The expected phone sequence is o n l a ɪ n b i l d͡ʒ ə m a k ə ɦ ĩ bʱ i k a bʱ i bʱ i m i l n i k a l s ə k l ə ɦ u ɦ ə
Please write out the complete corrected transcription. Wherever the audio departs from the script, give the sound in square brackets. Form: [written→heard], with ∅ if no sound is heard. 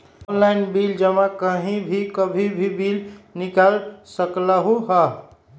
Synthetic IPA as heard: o n l a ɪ n b i l d͡ʒ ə m a k ə ɦ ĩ bʱ i k [a→ə] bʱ i bʱ i [m→b] i l n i k a l s ə k l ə ɦ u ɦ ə